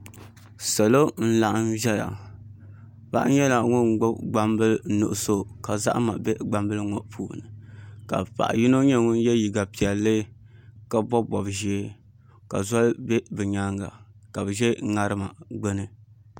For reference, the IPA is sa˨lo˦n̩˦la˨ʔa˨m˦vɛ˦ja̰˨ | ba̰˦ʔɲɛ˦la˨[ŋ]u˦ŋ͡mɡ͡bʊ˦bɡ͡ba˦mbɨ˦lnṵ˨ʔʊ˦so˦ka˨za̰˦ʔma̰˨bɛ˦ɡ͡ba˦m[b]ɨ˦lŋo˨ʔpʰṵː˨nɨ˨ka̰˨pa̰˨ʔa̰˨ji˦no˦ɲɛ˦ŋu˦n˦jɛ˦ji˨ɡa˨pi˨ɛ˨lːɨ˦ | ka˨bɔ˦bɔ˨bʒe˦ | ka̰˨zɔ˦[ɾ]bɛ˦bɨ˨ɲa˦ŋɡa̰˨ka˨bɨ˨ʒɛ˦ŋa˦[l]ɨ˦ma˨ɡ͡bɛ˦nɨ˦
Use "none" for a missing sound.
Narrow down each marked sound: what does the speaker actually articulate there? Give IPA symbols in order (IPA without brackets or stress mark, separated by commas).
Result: ŋ, b, l, ɾ